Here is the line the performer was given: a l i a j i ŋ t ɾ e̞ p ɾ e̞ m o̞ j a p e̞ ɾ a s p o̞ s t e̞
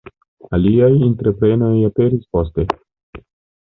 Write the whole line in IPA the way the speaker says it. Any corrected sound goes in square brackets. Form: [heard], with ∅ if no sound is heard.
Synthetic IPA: a l i a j i [n] t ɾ e̞ p ɾ e̞ [n] o̞ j a p e̞ ɾ [i] s p o̞ s t e̞